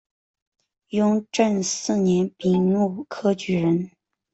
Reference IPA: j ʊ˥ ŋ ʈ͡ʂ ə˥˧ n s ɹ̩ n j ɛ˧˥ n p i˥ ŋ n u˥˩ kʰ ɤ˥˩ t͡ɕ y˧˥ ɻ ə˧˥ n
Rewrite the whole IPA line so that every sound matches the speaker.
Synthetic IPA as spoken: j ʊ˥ ŋ ʈ͡ʂ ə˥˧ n s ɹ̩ n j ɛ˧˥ n p i˨˩ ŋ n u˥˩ kʰ ɤ˥ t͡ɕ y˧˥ ɻ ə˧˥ n